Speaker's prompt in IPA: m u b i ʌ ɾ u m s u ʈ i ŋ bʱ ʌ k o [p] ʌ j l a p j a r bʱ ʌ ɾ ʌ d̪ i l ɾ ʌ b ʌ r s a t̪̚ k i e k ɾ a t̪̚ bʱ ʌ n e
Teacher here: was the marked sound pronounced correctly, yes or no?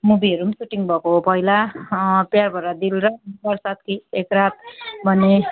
yes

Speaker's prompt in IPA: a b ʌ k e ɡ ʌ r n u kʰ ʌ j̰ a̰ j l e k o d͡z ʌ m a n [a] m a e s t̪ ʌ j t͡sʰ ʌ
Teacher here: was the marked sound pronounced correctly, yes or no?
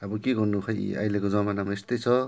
yes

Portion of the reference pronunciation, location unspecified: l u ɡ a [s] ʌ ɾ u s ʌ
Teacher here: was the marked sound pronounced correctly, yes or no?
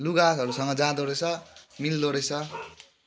yes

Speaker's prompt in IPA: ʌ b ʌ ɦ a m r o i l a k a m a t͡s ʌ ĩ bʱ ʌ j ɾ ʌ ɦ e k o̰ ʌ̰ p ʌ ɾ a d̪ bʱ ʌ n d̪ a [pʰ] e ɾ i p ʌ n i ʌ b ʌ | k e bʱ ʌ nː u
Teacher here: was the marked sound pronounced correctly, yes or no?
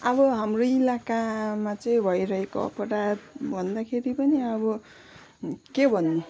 no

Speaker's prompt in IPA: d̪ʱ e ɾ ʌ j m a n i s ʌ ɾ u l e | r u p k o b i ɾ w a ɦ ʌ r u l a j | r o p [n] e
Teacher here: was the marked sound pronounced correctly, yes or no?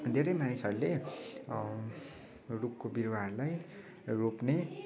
yes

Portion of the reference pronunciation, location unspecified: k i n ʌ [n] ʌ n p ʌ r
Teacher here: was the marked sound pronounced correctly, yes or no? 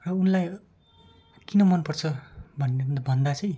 no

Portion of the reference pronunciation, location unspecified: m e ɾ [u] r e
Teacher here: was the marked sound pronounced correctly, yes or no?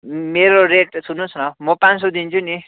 no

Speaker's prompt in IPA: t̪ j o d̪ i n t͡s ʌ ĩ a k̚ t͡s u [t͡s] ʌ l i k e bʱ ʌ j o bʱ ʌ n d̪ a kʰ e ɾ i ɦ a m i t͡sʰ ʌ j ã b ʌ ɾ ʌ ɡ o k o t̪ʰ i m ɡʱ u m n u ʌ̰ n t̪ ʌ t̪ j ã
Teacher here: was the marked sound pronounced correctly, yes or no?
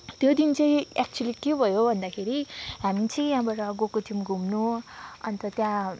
no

